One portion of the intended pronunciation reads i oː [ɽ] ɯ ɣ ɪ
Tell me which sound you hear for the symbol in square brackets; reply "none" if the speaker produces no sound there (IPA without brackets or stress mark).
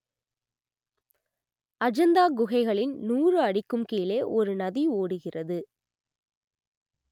ɽ